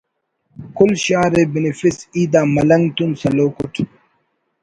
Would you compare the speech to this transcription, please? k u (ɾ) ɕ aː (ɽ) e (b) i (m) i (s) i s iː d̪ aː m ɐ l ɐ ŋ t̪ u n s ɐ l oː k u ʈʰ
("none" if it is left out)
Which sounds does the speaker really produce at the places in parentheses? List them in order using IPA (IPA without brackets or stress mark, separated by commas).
l, ɾ, b, n, f